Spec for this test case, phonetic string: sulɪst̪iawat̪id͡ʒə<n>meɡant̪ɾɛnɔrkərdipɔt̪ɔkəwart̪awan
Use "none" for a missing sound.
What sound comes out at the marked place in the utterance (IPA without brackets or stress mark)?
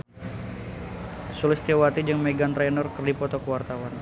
ŋ